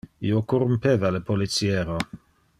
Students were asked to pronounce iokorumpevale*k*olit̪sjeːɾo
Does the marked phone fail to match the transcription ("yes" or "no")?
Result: yes